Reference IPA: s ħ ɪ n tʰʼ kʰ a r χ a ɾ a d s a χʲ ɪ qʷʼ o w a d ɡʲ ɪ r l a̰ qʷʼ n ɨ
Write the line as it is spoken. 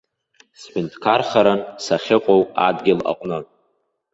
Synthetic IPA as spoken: s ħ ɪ n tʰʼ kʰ a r χ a ɾ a n s a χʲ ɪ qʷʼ o w a d ɡʲ ɪ l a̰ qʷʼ n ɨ